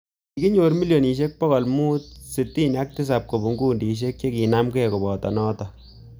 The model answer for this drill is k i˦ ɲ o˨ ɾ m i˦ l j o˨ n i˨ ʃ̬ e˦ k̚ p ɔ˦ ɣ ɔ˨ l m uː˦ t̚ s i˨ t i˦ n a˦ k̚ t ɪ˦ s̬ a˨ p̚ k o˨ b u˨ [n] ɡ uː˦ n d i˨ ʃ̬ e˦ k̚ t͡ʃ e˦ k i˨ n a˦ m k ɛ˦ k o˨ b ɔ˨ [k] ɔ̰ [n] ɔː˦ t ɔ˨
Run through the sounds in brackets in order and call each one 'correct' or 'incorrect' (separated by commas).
incorrect, incorrect, correct